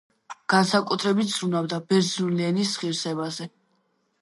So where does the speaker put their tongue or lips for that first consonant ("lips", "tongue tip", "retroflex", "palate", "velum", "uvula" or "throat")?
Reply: velum